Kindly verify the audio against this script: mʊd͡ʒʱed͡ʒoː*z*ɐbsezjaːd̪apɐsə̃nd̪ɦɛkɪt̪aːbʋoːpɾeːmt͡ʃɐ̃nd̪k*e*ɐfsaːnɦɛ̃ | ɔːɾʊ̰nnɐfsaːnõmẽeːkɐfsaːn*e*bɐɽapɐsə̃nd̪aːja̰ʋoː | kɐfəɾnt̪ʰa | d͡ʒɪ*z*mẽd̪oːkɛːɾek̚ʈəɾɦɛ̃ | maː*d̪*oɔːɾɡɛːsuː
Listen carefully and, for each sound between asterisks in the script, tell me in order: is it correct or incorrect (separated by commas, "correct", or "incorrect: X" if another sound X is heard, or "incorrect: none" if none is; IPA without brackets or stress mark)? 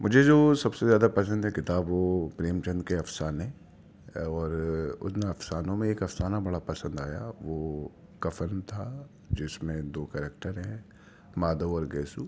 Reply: incorrect: s, correct, incorrect: a, incorrect: s, correct